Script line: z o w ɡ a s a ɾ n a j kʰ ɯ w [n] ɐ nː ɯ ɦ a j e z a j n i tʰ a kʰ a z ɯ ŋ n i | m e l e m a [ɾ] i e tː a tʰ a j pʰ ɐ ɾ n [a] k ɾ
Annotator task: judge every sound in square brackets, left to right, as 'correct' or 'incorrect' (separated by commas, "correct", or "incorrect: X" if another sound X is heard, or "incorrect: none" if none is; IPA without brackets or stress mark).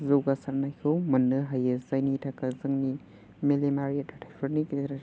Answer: incorrect: m, correct, incorrect: i